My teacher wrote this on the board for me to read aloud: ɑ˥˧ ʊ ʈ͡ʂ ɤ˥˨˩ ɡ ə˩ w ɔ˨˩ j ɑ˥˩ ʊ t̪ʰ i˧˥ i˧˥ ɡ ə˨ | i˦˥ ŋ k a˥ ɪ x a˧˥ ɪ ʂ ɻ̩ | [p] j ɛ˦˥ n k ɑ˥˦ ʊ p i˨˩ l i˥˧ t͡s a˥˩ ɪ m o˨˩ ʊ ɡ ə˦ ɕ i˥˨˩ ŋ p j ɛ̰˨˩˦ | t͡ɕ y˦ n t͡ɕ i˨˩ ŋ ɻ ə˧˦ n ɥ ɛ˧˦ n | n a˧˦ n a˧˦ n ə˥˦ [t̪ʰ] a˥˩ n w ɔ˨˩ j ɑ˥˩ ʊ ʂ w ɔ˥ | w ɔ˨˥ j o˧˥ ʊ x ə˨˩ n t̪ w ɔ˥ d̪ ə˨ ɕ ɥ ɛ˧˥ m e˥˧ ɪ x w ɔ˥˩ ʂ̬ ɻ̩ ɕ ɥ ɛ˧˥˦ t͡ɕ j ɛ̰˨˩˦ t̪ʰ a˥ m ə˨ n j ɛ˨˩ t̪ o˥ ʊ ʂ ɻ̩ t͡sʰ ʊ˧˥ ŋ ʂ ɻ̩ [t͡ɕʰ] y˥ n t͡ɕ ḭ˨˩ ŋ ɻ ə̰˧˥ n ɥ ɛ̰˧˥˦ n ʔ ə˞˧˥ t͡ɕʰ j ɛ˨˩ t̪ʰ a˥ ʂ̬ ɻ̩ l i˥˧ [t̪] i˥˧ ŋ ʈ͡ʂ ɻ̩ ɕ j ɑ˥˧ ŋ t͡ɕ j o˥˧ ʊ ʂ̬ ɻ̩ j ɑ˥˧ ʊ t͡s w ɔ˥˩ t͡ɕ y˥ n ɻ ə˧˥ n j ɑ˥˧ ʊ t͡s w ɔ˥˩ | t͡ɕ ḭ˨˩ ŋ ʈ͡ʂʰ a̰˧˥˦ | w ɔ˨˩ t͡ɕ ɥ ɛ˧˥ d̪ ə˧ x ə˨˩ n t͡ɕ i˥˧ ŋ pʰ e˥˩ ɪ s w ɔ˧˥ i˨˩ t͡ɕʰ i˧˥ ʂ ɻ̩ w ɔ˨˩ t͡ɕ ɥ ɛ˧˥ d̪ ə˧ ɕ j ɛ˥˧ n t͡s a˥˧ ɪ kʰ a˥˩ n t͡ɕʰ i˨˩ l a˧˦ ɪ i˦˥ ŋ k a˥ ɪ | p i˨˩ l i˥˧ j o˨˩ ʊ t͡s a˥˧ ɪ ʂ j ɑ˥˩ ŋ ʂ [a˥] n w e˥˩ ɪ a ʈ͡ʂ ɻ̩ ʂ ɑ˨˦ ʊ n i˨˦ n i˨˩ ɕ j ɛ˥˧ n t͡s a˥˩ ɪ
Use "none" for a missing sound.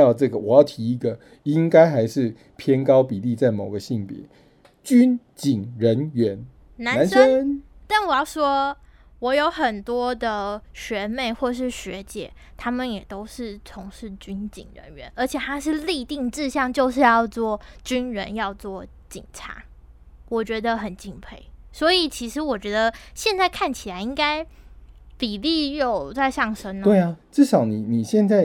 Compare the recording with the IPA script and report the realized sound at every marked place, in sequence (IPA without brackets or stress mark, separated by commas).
pʰ, t̪, t͡ɕ, t̪, ə˥